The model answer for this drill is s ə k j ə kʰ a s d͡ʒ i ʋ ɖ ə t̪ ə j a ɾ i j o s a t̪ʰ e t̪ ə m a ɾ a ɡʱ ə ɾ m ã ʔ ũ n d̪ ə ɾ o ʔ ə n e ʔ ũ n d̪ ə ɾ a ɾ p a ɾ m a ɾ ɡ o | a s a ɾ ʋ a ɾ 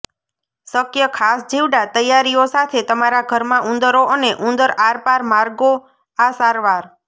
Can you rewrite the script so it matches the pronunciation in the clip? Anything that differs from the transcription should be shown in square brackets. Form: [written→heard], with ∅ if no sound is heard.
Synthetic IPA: s ə k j ə kʰ a s d͡ʒ i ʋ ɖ [ə→a] t̪ ə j a ɾ i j o s a t̪ʰ e t̪ ə m a ɾ a ɡʱ ə ɾ m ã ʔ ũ n d̪ ə ɾ o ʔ ə n e ʔ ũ n d̪ ə ɾ a ɾ p a ɾ m a ɾ ɡ o | a s a ɾ ʋ a ɾ

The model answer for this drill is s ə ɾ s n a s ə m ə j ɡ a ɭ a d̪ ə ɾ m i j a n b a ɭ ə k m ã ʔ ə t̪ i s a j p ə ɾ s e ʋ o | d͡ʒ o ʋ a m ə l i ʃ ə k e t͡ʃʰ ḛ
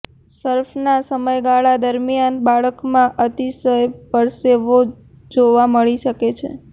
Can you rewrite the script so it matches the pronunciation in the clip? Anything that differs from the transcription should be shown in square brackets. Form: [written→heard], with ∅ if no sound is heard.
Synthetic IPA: s ə ɾ [s→f] n a s ə m ə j ɡ a ɭ a d̪ ə ɾ m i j a n b a ɭ ə k m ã ʔ ə t̪ i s [a→ə] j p ə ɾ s e ʋ o | d͡ʒ o ʋ a m ə [l→ɭ] i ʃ ə k e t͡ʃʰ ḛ

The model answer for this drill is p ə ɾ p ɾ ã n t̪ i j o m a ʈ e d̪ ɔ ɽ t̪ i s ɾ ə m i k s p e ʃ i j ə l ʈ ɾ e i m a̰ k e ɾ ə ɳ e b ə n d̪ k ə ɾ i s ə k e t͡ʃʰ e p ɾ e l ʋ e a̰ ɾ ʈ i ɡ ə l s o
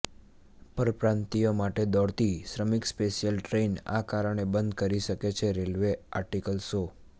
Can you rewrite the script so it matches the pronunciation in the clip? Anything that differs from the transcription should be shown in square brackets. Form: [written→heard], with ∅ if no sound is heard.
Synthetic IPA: p ə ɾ p ɾ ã n t̪ i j o m a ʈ e d̪ ɔ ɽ t̪ i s ɾ ə m i k s p e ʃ i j ə l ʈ ɾ e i [m→n] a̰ k [e→a] ɾ ə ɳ e b ə n d̪ k ə ɾ i [s→ʃ] ə k e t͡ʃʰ e [p→∅] ɾ e l ʋ e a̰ ɾ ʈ i [ɡ→k] ə l s o

